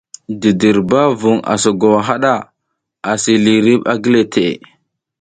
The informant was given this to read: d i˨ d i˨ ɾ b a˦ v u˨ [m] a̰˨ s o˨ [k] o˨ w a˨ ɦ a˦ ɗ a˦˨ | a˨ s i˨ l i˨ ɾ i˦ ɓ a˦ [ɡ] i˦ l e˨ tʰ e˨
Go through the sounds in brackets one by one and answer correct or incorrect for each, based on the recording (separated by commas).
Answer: incorrect, incorrect, correct